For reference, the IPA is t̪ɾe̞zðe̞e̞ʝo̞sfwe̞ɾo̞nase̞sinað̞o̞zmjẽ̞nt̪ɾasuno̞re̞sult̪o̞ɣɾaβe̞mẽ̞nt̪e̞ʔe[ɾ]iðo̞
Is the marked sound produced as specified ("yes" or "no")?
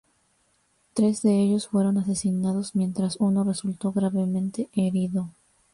yes